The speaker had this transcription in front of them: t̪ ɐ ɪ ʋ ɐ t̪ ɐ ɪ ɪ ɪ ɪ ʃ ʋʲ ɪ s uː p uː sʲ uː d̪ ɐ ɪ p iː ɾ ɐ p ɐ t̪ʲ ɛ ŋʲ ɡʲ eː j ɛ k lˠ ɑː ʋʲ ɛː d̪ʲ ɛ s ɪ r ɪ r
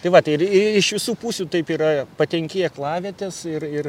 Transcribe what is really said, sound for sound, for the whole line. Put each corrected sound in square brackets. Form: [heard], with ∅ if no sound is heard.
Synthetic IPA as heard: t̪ ɐ ɪ ʋ ɐ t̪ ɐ ɪ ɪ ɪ ɪ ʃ ʋʲ ɪ s uː p uː sʲ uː [t̪] ɐ ɪ p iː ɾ ɐ p ɐ t̪ʲ ɛ ŋʲ [kʲ] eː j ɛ k lˠ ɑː ʋʲ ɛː [t̪ʲ] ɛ s ɪ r ɪ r